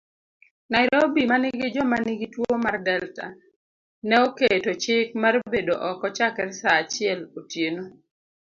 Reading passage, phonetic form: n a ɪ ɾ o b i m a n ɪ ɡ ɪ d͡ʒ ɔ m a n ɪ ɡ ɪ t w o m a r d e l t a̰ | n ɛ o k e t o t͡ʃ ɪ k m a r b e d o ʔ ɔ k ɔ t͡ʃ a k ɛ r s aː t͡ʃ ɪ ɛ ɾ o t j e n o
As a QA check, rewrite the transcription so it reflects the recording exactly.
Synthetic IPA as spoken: n a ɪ ɾ o b i m a n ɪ ɡ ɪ d͡ʒ ɔ m a n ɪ ɡ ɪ t w o m a r d ɛ l t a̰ | n ɛ o k e t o t͡ʃ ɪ k m a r b e d o ʔ ɔ k ɔ t͡ʃ a k ɛ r s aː t͡ʃ ɪ ɛ l o t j e n o